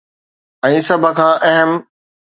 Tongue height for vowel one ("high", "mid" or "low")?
mid